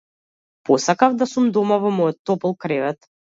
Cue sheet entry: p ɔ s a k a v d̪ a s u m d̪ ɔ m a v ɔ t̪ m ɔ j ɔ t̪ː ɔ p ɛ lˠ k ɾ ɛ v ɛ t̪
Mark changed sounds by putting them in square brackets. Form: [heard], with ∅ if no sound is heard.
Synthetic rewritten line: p ɔ s a k a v d̪ a s u m d̪ ɔ m a v ɔ [∅] m ɔ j ɔ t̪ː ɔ p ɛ lˠ k ɾ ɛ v ɛ t̪